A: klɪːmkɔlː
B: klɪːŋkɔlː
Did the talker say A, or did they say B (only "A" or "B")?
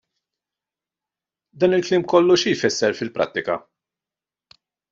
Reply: A